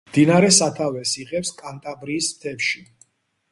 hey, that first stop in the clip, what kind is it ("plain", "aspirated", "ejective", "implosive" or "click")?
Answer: plain